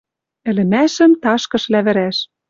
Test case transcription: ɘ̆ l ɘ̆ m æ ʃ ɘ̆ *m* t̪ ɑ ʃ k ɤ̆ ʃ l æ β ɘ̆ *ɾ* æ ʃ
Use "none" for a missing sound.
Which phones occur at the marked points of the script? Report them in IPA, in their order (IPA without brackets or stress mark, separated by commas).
m, ɾ